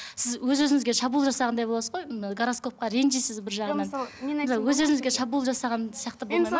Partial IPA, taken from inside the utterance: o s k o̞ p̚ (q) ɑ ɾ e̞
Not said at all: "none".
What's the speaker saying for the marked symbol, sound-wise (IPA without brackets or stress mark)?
q